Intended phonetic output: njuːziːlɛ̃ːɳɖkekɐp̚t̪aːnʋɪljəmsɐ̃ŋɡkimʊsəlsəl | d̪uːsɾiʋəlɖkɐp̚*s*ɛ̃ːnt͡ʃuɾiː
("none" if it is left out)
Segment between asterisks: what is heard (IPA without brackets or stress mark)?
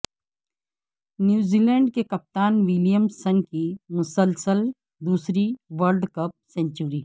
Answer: s